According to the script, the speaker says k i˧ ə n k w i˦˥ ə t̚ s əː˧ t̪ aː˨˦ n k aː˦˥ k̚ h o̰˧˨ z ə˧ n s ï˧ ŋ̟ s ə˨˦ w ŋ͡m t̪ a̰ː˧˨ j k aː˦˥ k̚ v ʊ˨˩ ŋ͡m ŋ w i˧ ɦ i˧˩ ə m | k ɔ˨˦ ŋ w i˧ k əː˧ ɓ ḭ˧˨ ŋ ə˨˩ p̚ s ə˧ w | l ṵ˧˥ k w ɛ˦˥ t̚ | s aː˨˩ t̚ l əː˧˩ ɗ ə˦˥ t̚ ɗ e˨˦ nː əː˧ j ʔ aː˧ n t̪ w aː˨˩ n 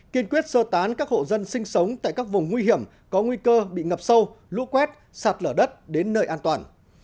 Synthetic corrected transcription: k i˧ ə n k w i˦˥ ə t̚ s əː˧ t̪ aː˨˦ n k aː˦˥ k̚ h o̰˧˨ z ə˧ n s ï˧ ŋ̟ s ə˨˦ w ŋ͡m t̪ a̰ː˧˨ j k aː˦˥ k̚ v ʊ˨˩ ŋ͡m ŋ w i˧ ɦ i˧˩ ə m | k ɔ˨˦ ŋ w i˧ k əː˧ ɓ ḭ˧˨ ŋ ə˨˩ p̚ s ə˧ w | l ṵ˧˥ k w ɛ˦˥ t̚ | s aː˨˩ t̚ l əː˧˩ ɗ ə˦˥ t̚ ɗ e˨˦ nː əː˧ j ʔ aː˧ n t̪ w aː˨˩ n

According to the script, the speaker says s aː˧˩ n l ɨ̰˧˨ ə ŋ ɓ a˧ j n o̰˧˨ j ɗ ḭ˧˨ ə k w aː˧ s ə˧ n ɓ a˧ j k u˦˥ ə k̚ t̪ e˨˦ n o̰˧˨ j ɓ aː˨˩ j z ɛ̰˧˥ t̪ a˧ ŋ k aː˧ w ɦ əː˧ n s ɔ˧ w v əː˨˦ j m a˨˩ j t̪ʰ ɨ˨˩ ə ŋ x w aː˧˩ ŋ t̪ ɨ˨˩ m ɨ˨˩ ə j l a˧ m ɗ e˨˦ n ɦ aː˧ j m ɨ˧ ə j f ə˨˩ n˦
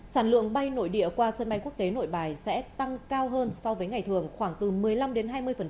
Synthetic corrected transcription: s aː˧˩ n l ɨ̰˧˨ ə ŋ ɓ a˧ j n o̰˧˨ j ɗ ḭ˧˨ ə k w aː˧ s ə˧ n ɓ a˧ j k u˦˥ ə k̚ t̪ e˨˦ n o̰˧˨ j ɓ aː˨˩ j s ɛ̰˧˥ t̪ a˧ ŋ k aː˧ w ɦ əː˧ n s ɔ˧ w v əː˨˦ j ŋ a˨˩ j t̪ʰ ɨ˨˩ ə ŋ x w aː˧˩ ŋ t̪ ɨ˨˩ m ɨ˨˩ ə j l a˧ m ɗ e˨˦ n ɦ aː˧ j m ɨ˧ ə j f ə˨˩ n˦

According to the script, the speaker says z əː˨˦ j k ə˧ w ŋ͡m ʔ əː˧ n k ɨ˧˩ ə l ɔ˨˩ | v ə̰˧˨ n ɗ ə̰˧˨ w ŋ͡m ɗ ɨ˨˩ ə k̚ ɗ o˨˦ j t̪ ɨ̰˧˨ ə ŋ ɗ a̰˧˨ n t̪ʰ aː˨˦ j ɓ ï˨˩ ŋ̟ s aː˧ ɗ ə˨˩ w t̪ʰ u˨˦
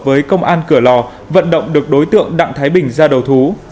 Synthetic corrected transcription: v əː˨˦ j k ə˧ w ŋ͡m ʔ aː˧ n k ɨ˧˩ ə l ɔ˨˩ | v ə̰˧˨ n ɗ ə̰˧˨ w ŋ͡m ɗ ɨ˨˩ ə k̚ ɗ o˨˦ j t̪ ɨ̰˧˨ ə ŋ ɗ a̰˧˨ ŋ t̪ʰ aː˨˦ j ɓ ï˨˩ ŋ̟ z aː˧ ɗ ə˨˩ w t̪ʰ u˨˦

